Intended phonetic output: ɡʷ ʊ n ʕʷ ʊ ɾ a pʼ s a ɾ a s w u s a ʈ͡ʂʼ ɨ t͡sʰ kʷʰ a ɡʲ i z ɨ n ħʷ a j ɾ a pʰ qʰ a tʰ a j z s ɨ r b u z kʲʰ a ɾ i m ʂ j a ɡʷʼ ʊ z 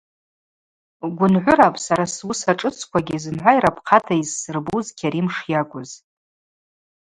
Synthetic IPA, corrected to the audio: ɡʷ ʊ n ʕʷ ʊ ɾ a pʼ s a ɾ a s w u s a ʈ͡ʂʼ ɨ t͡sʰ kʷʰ a ɡʲ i z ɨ n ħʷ a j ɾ a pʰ qʰ a tʰ a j z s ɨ r b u z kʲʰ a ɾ i m ʂ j a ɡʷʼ ʊ z